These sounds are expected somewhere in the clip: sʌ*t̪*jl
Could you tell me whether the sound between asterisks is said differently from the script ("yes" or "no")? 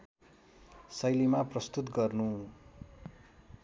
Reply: yes